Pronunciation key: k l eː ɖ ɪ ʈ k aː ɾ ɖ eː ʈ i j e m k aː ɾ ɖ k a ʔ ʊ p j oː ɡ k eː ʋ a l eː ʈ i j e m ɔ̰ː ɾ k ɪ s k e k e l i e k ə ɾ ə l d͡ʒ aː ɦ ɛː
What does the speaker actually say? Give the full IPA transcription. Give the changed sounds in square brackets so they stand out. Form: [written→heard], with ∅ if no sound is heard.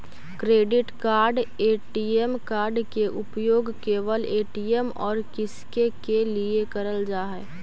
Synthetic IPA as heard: k [l→ɾ] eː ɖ ɪ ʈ k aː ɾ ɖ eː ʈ i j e m k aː ɾ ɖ k [a→e] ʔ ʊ p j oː ɡ k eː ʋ [a→ə] l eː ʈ i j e m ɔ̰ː ɾ k ɪ s k e k e l i e k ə ɾ ə l d͡ʒ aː ɦ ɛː